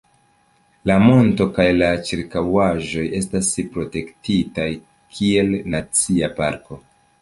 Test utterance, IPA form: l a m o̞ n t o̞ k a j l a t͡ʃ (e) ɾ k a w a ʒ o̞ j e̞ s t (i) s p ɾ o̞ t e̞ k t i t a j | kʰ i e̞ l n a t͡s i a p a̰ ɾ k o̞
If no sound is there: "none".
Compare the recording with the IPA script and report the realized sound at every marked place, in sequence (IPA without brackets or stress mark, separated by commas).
i, a